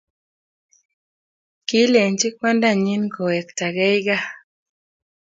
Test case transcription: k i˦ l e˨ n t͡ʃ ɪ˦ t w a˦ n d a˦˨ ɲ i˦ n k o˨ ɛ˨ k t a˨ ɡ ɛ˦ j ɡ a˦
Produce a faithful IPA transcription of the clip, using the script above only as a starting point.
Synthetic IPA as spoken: k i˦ l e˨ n t͡ʃ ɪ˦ k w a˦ n d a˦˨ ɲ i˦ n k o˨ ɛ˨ k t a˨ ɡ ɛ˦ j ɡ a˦

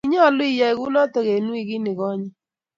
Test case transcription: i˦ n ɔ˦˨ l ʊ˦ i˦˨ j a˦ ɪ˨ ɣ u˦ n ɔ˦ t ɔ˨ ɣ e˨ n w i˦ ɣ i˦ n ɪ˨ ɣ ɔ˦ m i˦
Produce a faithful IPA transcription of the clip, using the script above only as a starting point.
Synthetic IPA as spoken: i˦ ɲ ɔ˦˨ l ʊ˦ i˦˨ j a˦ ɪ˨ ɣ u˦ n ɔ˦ t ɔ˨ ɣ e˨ n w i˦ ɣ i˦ n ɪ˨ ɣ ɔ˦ ɲ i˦

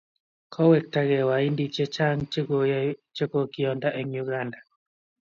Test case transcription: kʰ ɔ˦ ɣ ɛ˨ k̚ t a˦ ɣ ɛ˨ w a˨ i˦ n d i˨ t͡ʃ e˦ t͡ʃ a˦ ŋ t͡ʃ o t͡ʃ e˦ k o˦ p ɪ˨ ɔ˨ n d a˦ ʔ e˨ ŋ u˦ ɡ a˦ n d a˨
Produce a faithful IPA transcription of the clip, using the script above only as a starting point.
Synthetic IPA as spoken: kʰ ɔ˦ w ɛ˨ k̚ t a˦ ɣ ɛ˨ w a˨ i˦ n d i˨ t͡ʃ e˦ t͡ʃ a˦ ŋ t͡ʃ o t͡ʃ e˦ k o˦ k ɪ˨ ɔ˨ n d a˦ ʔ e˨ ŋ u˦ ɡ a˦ n d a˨

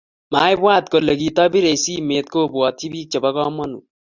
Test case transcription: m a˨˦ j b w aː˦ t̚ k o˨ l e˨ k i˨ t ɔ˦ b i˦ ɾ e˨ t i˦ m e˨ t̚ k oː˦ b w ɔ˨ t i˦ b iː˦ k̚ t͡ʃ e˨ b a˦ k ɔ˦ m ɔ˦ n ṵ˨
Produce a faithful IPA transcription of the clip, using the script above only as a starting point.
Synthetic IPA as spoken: m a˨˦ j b w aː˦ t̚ k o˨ l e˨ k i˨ t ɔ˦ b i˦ ɾ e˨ s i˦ m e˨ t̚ k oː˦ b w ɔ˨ t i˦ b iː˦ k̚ t͡ʃ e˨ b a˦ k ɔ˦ m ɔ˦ n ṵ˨

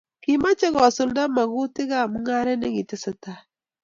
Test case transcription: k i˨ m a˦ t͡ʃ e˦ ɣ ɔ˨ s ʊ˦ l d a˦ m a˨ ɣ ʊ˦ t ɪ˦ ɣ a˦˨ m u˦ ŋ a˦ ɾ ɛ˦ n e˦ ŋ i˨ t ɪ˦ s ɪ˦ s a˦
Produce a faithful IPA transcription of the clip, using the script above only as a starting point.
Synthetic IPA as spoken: k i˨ m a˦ t͡ʃ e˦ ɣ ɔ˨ s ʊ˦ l d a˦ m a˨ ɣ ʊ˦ t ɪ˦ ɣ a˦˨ m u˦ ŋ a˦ ɾ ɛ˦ n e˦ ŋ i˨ t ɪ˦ s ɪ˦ t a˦

